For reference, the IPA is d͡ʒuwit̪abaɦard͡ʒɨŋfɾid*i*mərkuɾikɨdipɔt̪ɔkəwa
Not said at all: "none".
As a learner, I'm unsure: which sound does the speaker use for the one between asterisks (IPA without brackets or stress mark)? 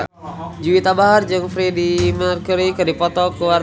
i